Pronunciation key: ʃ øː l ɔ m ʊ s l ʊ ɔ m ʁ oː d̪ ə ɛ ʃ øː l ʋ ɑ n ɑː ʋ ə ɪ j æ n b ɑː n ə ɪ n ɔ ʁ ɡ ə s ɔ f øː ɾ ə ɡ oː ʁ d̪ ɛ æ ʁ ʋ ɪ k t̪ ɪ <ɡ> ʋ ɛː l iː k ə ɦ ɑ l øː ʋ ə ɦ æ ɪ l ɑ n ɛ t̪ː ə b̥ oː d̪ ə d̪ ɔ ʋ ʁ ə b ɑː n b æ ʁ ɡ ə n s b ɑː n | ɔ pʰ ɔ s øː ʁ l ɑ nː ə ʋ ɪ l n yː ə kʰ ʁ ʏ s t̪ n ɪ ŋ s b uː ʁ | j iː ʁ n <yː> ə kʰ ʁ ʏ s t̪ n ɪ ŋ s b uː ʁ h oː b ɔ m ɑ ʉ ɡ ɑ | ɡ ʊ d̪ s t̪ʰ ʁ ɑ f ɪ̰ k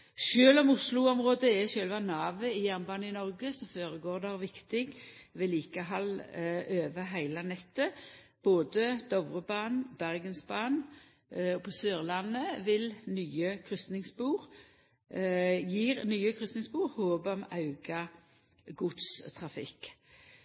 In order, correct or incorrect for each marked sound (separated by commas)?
correct, correct